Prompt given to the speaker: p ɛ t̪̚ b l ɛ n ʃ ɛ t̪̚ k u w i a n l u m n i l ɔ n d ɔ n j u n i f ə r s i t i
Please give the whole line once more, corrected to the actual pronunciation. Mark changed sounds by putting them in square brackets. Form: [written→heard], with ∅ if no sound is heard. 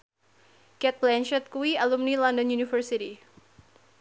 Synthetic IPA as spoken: [p→k] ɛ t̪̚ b l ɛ n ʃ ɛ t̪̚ k u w i a [n→∅] l u m n i l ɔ n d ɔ n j u n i f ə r s i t i